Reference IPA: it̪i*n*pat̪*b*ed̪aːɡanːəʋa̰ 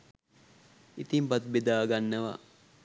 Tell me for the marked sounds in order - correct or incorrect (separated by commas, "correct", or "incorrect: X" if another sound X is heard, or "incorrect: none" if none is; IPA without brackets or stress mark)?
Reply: incorrect: m, correct